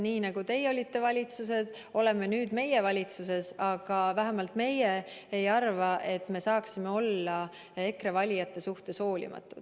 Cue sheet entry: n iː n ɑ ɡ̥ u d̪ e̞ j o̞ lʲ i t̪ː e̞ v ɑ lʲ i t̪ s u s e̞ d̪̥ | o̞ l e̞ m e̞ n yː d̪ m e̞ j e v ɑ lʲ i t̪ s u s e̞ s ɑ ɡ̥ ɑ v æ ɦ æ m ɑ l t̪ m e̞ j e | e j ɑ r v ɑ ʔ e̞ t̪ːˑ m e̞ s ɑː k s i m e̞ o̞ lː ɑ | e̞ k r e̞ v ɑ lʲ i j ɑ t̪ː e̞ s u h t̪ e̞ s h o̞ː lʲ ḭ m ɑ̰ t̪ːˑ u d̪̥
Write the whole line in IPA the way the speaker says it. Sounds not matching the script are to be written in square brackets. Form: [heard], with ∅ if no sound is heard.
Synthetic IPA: n iː n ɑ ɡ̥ u [t̪] e̞ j o̞ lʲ i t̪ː e̞ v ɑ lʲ i t̪ s u s e̞ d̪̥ | o̞ l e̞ m e̞ n yː d̪ m e̞ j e v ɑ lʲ i t̪ s u s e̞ s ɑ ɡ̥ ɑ v æ ɦ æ m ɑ l t̪ m e̞ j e | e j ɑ r v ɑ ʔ e̞ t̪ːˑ m e̞ s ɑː k s i m e̞ o̞ lː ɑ | e̞ k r e̞ v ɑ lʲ i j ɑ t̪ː e̞ s u h t̪ e̞ s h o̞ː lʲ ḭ m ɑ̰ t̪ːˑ u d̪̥

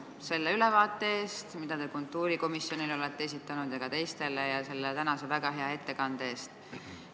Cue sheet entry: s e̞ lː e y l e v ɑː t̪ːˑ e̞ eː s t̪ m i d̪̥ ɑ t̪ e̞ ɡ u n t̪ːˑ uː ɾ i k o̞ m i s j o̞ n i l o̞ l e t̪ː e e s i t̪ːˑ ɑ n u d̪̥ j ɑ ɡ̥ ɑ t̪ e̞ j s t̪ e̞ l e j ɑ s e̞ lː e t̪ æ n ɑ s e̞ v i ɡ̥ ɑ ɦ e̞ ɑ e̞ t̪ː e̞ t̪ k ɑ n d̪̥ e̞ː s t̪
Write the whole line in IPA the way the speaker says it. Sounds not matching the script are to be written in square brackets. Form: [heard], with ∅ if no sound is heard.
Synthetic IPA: s e̞ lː e y l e v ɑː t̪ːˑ e̞ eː s t̪ m i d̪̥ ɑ t̪ e̞ [k] u n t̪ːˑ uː ɾ i k o̞ m i s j o̞ n i l o̞ l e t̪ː e e s i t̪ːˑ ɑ n u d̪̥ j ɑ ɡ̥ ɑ t̪ e̞ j s t̪ e̞ l e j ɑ s e̞ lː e t̪ æ n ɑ s e̞ v [æ] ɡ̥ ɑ ɦ e̞ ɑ e̞ t̪ː e̞ [∅] k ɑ n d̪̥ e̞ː s t̪

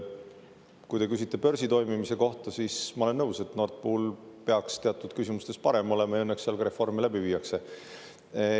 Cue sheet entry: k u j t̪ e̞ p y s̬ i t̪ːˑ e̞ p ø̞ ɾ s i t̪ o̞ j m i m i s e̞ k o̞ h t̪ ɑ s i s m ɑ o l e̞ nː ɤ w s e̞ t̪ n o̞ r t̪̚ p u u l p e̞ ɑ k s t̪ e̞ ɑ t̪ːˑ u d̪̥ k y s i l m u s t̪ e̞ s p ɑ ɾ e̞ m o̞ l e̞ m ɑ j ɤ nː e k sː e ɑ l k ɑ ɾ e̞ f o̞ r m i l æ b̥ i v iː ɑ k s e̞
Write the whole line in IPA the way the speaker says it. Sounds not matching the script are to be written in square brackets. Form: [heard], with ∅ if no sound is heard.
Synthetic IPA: k u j t̪ e̞ [k] y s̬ i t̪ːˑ e̞ p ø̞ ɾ s i t̪ o̞ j m i m i s e̞ k o̞ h t̪ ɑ s i s m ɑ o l e̞ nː ɤ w s e̞ t̪ n o̞ r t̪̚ p u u l p e̞ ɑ k s t̪ e̞ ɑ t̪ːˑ u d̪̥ k y s i [∅] m u s t̪ e̞ s p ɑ ɾ e̞ m o̞ l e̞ m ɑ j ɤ nː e k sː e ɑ l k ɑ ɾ e̞ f o̞ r m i l æ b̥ i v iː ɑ k s e̞

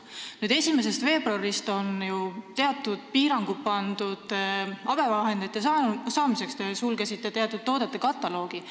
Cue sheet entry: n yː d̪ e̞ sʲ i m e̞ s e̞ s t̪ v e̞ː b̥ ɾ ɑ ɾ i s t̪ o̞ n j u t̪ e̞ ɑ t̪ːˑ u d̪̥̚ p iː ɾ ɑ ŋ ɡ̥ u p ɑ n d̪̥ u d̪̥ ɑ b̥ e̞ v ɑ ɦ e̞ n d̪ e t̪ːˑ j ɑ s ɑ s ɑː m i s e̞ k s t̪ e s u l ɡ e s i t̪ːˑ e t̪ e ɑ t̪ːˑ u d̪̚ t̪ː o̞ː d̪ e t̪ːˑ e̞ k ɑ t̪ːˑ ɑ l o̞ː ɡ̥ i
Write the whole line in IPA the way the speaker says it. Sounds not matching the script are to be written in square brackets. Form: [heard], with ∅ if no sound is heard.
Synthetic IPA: n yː d̪ e̞ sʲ i m e̞ s e̞ s t̪ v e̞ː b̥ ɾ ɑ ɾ i s t̪ o̞ n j u t̪ e̞ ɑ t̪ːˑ u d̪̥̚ p iː ɾ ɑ ŋ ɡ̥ u p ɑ n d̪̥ u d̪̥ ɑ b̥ e̞ v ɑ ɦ e̞ n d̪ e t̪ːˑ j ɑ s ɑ s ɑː m i s e̞ k s t̪ e s u l ɡ e s i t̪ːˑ e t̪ e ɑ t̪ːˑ u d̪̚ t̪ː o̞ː d̪ e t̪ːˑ e̞ k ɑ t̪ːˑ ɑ l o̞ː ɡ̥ i

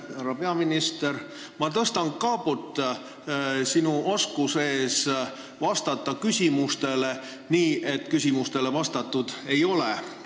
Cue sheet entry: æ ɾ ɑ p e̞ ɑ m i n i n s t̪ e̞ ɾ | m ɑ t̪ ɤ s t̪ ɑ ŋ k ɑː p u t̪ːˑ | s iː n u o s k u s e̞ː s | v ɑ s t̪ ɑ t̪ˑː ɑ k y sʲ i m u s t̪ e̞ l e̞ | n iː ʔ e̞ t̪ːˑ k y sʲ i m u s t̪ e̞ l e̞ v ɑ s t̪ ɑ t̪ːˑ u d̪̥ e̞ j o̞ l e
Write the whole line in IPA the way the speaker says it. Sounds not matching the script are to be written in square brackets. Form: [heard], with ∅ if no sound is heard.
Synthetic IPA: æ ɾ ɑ p e̞ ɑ m i n i [∅] s t̪ e̞ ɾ | m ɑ t̪ ɤ s t̪ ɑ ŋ k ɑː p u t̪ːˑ | s [i] n u o s k u s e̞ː s | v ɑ s t̪ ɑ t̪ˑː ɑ k y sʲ i m u s t̪ e̞ l e̞ | n iː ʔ e̞ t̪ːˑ k y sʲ i m u s t̪ e̞ l e̞ v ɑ s t̪ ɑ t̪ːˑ u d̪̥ e̞ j o̞ l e

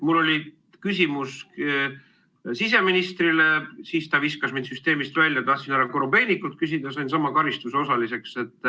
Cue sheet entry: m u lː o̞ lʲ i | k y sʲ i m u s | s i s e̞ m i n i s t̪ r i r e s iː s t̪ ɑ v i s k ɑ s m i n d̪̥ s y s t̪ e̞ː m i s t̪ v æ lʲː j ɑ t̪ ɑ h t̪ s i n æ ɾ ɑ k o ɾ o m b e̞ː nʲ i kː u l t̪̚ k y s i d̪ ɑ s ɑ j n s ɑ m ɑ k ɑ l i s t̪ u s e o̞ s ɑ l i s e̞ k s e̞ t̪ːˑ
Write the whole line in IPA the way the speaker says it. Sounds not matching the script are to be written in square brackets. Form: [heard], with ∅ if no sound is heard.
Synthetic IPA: m u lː o̞ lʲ i | k y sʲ i m u s | s i s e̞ m i n i s t̪ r i [l] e s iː s t̪ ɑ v i s k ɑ s m i n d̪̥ s y s t̪ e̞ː m i s t̪ v æ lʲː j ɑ t̪ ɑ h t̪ s i n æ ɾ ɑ k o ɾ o m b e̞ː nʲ i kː u l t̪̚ k y s i d̪ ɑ s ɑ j n s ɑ m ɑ k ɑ [ɾ] i s t̪ u s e o̞ s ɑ l i s e̞ k s e̞ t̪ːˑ

